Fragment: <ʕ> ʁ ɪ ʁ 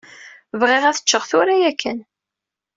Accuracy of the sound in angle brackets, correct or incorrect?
incorrect